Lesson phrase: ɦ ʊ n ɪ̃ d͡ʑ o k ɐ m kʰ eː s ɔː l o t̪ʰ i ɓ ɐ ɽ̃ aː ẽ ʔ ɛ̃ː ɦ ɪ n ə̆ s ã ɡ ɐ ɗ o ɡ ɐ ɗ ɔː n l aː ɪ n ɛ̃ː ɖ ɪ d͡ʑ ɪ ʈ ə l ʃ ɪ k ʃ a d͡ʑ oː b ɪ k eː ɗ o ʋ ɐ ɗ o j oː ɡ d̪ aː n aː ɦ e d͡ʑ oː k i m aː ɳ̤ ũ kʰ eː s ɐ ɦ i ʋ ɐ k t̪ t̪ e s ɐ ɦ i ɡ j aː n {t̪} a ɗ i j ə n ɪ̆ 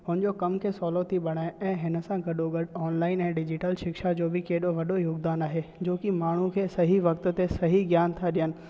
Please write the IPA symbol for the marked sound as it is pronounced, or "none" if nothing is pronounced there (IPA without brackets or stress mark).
t̪ʰ